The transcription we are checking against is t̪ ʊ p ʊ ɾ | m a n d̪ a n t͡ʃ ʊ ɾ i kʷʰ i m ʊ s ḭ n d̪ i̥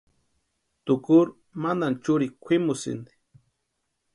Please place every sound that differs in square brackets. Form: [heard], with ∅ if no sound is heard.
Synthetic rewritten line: t̪ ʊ [k] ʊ ɾ | m a n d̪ a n t͡ʃ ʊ ɾ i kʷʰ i m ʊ s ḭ n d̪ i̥